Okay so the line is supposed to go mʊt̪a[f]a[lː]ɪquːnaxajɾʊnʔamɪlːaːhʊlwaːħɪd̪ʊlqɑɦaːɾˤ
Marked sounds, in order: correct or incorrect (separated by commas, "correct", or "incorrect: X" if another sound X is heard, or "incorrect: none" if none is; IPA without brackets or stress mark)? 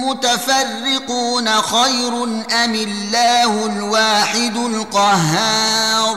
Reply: correct, incorrect: rː